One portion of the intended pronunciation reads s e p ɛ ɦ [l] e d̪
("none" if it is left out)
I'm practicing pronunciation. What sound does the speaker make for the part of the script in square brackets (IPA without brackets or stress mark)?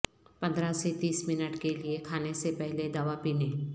l